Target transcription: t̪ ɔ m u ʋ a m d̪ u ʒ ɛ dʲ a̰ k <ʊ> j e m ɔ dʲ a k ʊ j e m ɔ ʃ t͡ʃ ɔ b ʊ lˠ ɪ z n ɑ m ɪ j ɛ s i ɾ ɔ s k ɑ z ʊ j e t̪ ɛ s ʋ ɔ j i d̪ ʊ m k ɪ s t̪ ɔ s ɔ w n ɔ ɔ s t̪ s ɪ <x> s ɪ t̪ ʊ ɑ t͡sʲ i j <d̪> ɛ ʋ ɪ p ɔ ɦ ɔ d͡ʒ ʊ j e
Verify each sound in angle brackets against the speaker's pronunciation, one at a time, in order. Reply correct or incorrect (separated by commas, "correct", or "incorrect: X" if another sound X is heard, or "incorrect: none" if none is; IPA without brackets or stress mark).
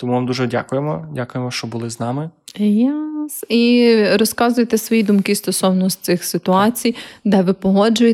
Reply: correct, correct, correct